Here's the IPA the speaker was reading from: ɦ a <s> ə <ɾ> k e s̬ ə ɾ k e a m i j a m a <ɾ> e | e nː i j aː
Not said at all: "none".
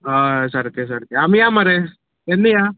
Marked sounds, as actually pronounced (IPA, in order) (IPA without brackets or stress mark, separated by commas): s, ɾ, ɾ